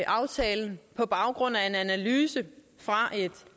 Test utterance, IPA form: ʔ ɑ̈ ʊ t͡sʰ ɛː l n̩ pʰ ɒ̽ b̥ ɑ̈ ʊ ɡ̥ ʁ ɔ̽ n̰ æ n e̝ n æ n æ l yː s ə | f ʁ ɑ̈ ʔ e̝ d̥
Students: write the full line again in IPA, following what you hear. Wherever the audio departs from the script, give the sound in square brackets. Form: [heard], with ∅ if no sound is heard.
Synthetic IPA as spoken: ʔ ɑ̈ ʊ t͡sʰ ɛː l n̩ pʰ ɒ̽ b̥ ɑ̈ ʊ ɡ̥ ʁ ɔ̽ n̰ æ [∅] e̝ n æ n æ l yː s ə | f ʁ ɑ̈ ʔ e̝ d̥